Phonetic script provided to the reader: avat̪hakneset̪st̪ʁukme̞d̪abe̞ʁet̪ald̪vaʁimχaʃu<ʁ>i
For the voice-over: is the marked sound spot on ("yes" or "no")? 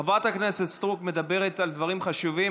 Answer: no